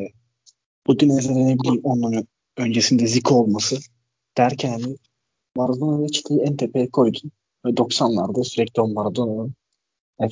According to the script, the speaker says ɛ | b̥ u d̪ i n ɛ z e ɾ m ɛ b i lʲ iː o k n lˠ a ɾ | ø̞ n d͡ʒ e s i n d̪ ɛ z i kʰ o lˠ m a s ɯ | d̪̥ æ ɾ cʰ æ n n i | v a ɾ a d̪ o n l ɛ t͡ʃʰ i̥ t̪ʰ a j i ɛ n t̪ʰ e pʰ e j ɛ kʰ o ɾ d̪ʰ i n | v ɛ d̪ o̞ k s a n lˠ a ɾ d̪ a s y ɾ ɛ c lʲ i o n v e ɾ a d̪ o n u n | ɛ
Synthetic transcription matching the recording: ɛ | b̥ u d̪ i n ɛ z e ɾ n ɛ b i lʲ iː o n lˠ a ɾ | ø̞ n d͡ʒ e s i n d̪ ɛ z i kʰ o lˠ m a s ɯ | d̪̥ æ ɾ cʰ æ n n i | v a ɾ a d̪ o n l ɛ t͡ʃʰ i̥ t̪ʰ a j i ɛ n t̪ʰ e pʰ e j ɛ kʰ o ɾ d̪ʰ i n | v ɛ d̪ o̞ k s a n lˠ a ɾ d̪ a s y ɾ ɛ c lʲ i o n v a ɾ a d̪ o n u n | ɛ